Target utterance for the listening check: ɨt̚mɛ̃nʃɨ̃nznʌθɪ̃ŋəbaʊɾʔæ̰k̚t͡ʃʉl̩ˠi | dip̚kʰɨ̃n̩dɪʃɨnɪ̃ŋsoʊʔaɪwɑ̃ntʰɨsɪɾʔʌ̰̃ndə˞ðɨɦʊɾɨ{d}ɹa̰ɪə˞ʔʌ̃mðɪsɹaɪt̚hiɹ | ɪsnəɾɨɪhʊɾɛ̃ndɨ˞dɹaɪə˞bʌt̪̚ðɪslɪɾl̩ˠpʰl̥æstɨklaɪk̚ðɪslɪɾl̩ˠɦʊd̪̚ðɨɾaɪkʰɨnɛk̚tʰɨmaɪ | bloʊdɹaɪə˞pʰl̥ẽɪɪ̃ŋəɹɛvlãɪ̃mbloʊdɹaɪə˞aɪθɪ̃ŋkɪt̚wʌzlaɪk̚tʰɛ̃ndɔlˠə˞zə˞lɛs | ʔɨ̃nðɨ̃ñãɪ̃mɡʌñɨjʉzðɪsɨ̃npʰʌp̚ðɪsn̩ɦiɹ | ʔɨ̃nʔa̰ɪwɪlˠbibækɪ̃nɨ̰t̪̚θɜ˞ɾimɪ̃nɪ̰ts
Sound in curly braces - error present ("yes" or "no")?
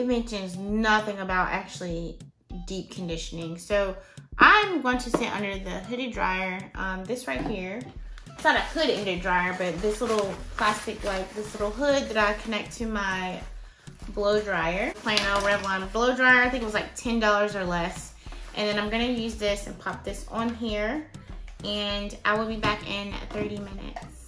no